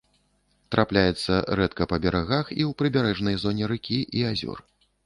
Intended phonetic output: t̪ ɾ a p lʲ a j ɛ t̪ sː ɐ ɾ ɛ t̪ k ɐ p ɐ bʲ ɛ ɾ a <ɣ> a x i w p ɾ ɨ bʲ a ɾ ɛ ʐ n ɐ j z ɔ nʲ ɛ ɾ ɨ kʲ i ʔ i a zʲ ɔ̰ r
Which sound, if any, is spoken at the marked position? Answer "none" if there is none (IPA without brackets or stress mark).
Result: ɣ